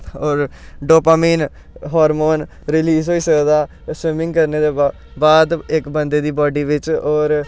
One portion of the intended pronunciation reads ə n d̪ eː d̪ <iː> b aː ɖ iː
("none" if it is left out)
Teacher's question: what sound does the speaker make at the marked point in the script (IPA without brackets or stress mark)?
iː